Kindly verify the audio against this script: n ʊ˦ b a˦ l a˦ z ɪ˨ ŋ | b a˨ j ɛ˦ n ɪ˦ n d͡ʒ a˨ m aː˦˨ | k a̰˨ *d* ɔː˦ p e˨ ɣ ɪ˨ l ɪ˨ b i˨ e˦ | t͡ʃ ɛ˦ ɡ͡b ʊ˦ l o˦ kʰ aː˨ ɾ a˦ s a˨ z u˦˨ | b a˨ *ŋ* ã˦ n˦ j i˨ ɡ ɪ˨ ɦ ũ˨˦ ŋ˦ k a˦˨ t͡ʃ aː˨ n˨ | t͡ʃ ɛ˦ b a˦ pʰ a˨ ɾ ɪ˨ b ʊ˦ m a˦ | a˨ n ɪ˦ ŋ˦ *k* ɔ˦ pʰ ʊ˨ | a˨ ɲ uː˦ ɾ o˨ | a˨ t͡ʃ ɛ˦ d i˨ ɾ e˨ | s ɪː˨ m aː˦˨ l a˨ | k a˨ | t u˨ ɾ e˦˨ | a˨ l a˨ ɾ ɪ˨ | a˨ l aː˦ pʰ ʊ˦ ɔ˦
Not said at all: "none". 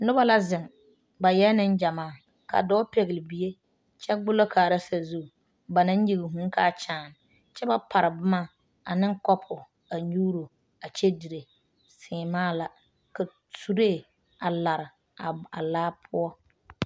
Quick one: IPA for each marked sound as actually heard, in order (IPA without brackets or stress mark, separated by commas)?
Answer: d, n, k